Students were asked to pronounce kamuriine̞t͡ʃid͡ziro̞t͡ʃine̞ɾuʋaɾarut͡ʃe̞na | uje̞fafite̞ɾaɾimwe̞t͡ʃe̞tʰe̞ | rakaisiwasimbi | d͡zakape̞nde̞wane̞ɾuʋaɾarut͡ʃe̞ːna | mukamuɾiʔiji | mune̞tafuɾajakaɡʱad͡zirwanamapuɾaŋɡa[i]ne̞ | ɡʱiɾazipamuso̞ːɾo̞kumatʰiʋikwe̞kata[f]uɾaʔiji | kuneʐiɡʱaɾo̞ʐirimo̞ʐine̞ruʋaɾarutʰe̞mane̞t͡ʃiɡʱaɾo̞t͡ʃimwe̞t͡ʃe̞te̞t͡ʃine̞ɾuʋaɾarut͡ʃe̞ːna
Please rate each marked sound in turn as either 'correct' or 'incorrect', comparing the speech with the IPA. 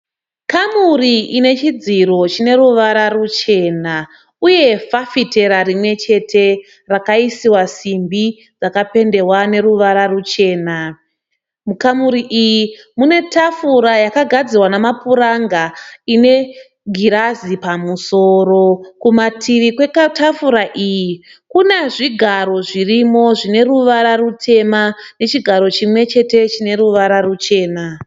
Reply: correct, correct

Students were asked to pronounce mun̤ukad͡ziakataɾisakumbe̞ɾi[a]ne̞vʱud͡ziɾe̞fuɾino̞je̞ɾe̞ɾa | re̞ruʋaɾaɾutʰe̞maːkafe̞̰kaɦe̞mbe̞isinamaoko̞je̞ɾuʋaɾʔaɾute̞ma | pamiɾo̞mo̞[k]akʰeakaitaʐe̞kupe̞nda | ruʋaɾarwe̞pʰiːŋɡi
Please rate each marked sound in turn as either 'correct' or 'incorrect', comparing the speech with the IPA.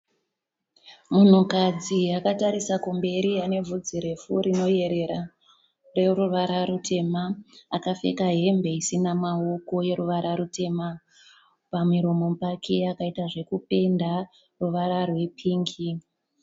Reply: correct, incorrect: p

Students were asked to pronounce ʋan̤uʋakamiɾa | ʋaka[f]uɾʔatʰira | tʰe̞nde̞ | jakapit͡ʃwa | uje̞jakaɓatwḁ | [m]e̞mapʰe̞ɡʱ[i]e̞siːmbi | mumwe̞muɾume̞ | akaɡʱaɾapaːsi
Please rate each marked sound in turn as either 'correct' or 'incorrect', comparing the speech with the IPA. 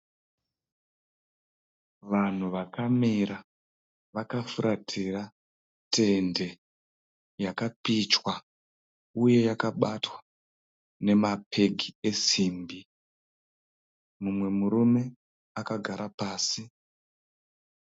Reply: correct, incorrect: n, correct

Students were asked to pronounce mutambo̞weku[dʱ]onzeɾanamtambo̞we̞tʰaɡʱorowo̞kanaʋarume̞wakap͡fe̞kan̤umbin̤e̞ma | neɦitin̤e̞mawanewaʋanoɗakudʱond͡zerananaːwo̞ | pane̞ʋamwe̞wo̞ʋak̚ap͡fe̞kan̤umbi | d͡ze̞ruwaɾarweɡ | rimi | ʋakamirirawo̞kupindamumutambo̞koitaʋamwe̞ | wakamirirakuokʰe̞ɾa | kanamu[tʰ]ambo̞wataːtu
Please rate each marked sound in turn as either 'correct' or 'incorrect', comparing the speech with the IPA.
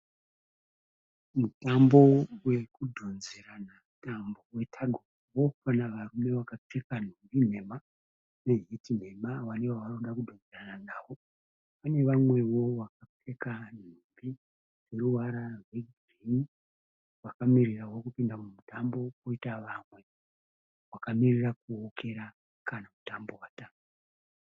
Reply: correct, incorrect: t

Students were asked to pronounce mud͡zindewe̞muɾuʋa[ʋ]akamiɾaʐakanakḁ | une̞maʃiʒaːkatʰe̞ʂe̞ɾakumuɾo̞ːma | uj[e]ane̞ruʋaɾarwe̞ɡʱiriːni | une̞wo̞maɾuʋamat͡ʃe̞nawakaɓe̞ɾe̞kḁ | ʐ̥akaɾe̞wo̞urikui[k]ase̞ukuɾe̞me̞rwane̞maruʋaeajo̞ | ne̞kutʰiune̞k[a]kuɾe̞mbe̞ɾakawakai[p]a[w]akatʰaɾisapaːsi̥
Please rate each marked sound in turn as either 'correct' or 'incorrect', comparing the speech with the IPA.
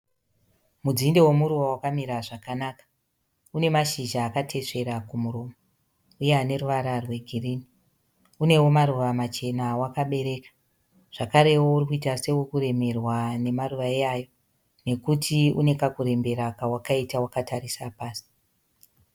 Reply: incorrect: w, correct, incorrect: t, correct, incorrect: t, correct

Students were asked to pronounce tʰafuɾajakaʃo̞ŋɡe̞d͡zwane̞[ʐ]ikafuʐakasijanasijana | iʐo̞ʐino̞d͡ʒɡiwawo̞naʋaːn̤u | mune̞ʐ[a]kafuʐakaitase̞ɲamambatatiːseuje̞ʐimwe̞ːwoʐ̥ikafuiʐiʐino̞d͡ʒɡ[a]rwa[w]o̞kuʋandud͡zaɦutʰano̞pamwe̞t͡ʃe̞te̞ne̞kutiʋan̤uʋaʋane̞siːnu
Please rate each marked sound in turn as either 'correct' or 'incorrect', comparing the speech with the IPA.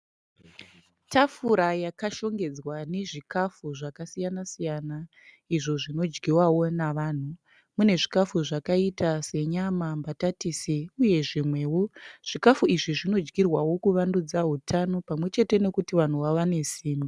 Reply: correct, incorrect: i, incorrect: i, correct

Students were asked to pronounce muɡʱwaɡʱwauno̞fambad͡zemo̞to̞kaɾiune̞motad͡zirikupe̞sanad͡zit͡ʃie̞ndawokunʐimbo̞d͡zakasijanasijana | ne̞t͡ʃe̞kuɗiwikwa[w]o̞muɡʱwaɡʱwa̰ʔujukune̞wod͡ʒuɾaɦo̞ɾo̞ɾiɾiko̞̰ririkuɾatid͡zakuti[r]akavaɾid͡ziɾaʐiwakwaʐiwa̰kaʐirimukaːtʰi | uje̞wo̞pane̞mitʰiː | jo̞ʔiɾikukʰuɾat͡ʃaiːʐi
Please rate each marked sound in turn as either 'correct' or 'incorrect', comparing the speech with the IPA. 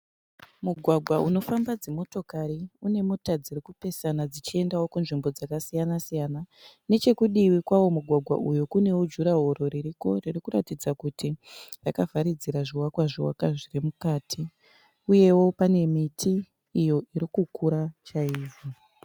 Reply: correct, correct

